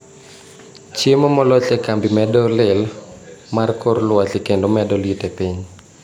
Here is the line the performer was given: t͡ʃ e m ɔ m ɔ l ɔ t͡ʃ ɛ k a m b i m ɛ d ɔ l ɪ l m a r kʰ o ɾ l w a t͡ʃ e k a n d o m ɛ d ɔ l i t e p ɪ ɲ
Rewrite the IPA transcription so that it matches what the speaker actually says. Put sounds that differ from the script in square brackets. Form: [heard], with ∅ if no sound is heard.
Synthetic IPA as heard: t͡ʃ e m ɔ m ɔ l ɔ t͡ʃ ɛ k a m b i m ɛ d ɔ l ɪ l m a r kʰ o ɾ l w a t͡ʃ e k [e] n d o m ɛ d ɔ l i t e p [i] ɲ